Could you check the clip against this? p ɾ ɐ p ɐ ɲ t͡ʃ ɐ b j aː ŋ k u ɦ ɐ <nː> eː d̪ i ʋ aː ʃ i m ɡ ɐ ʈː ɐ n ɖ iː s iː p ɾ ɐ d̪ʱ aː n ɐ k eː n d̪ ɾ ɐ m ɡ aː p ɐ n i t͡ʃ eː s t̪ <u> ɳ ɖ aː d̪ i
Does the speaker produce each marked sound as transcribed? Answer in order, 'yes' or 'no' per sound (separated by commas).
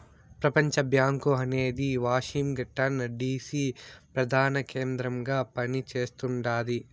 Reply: no, yes